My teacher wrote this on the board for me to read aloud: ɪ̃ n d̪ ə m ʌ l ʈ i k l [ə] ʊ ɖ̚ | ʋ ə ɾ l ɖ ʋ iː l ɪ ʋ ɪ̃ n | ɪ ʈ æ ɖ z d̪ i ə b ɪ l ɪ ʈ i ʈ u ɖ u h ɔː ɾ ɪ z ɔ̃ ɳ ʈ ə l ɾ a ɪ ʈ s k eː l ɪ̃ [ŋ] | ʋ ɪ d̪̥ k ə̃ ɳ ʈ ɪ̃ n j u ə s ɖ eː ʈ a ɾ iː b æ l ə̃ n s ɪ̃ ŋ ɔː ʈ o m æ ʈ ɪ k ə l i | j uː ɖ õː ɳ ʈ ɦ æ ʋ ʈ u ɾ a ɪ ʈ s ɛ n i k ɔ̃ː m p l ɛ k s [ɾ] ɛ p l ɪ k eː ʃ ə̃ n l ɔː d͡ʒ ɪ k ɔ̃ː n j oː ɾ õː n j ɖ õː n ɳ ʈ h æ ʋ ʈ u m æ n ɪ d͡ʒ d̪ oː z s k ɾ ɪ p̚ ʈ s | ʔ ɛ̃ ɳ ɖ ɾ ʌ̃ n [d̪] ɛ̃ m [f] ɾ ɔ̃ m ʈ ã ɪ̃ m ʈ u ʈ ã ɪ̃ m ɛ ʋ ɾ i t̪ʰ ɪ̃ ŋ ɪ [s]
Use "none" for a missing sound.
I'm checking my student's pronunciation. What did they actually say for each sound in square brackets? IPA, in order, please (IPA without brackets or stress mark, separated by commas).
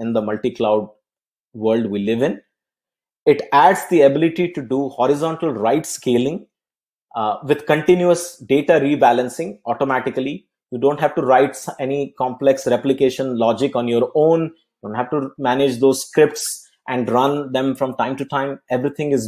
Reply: a, ŋ, ɾ, d̪, f, z